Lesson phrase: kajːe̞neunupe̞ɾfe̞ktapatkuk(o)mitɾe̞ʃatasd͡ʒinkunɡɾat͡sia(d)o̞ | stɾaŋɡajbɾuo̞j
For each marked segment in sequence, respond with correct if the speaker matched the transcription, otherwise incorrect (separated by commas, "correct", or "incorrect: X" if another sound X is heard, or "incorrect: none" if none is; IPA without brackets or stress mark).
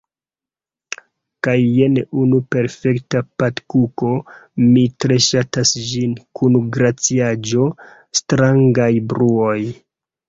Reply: correct, incorrect: d͡ʒ